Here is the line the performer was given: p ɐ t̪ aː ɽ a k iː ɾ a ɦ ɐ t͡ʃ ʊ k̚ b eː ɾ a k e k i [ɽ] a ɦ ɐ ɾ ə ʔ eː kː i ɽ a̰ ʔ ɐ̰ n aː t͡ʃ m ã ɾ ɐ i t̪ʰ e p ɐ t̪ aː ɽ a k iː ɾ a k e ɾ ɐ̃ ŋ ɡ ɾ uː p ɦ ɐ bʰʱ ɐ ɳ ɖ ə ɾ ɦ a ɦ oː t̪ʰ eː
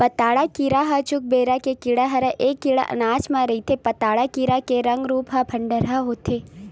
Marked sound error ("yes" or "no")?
no